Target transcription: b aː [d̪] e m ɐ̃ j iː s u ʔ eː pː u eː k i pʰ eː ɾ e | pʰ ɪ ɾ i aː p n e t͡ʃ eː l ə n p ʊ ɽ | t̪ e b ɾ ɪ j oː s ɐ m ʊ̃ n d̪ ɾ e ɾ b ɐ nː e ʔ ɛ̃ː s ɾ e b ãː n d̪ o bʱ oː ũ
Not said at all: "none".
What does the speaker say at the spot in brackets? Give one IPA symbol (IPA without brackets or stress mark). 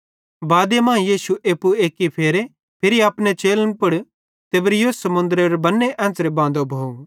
d̪